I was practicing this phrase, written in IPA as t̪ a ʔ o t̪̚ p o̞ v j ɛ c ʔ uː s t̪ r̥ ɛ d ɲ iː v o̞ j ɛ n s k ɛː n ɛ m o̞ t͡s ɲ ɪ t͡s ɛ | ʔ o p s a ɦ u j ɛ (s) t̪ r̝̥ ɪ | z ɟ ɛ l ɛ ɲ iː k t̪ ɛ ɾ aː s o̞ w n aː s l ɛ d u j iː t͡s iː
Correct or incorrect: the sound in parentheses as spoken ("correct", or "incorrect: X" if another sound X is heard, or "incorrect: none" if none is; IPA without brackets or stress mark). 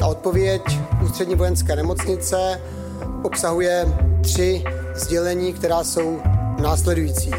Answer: incorrect: none